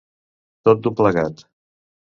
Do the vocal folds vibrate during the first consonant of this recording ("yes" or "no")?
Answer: no